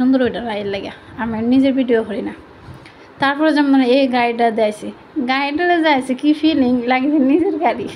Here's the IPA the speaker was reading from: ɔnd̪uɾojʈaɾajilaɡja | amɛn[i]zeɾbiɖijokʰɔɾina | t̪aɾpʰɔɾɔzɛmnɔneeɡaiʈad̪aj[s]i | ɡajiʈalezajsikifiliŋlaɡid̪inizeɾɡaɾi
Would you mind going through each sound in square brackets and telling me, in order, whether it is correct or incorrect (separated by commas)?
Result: correct, correct